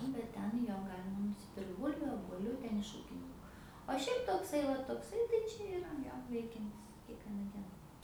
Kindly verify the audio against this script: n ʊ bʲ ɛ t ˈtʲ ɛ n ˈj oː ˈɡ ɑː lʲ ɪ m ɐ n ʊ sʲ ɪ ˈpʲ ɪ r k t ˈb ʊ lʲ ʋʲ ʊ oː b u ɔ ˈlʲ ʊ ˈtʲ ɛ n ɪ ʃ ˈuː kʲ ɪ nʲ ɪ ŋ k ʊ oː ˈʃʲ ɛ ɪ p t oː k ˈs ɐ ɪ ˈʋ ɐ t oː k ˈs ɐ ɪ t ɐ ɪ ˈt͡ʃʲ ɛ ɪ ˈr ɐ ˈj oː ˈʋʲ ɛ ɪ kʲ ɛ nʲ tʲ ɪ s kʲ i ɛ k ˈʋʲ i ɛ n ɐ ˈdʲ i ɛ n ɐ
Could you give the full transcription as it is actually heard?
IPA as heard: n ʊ bʲ ɛ t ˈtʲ ɛ n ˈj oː ˈɡ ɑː lʲ ɪ m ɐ n ʊ sʲ ɪ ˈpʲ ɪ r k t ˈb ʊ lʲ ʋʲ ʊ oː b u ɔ ˈlʲ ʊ ˈtʲ ɛ n ɪ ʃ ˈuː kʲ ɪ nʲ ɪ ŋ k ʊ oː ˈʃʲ ɛ ɪ p t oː k ˈs ɐ ɪ ˈʋ ɐ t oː k ˈs ɐ ɪ t ɐ ɪ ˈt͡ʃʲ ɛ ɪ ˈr ɐ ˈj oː ˈʋʲ ɛ ɪ kʲ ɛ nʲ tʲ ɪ s kʲ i ɛ k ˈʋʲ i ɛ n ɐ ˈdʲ i ɛ n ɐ